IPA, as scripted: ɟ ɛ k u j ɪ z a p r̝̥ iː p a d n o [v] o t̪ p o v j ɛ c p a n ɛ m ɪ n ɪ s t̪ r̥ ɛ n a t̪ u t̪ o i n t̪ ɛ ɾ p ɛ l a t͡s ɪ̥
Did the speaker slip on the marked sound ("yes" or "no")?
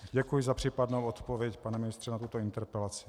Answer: yes